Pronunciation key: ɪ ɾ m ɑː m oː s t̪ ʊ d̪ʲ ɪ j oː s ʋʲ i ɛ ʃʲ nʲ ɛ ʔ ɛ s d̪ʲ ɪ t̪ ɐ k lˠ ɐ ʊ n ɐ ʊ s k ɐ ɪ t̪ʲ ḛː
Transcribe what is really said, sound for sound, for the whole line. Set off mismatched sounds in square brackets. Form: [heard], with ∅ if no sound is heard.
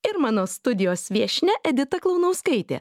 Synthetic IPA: ɪ ɾ m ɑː [n] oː s t̪ ʊ d̪ʲ ɪ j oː s ʋʲ i ɛ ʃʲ nʲ ɛ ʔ ɛ [∅] d̪ʲ ɪ t̪ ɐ k lˠ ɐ ʊ n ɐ ʊ s k ɐ ɪ t̪ʲ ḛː